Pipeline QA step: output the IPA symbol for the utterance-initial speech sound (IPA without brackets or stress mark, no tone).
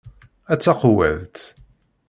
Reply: æ